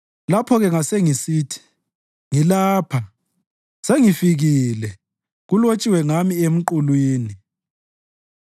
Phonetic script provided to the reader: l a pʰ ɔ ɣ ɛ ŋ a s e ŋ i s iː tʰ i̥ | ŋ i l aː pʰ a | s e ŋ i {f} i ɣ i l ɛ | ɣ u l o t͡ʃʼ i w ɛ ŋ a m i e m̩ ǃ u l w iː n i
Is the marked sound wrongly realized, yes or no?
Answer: no